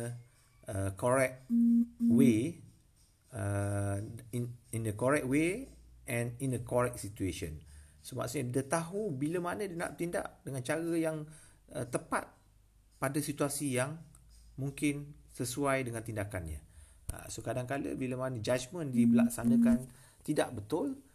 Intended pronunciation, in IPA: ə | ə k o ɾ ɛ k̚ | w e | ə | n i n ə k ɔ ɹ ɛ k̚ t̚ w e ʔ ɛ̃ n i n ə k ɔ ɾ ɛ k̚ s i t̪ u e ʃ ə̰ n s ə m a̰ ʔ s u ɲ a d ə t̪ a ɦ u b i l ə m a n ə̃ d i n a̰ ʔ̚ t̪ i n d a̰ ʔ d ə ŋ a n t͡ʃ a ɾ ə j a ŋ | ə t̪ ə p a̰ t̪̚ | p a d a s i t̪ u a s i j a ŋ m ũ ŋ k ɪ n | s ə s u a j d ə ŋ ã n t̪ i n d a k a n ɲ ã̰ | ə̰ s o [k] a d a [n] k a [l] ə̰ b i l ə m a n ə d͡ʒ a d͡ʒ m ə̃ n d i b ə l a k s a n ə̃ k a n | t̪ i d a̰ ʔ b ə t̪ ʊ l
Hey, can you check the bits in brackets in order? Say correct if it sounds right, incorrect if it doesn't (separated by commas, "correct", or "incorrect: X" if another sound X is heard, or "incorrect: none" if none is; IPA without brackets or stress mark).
correct, incorrect: ŋ, correct